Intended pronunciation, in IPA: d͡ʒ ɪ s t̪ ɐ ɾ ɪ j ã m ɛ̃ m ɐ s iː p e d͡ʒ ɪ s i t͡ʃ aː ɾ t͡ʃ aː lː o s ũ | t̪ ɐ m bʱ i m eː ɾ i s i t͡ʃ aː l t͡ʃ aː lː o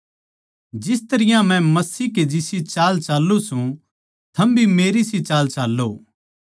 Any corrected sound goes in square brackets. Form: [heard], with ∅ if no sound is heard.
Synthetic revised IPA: d͡ʒ ɪ s t̪ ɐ ɾ ɪ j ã m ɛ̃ m ɐ s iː [k] e d͡ʒ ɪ s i t͡ʃ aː [l] t͡ʃ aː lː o s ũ | [t̪ʰ] ɐ m bʱ i m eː ɾ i s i t͡ʃ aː l t͡ʃ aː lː o